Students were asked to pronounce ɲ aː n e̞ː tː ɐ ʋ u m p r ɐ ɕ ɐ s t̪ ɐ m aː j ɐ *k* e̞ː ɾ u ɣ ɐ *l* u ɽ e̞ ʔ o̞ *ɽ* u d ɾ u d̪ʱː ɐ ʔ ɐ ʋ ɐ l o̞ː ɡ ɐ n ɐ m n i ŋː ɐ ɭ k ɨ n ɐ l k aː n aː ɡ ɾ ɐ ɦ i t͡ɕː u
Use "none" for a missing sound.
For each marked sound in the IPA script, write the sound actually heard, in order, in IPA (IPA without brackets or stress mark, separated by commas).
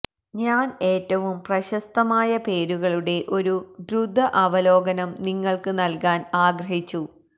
p, ɭ, ɾ